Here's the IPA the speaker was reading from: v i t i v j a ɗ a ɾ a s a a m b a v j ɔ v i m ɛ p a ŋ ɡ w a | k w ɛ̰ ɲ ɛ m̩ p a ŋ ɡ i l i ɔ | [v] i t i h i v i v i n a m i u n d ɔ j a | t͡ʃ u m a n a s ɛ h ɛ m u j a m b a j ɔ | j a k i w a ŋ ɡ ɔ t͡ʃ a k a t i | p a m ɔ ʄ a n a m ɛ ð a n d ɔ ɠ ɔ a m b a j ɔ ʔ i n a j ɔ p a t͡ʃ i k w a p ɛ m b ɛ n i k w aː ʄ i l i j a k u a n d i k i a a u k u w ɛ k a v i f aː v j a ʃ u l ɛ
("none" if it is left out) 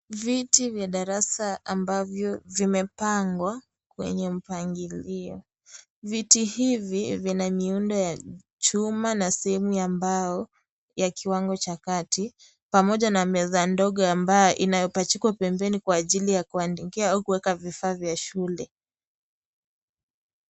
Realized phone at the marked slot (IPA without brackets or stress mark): v